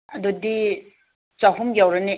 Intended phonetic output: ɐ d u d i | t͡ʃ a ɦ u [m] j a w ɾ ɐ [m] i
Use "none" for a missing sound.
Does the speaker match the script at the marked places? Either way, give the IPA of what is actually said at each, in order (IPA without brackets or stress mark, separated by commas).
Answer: m, n